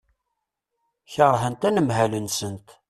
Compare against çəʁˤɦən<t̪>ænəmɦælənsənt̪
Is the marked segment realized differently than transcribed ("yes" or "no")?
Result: no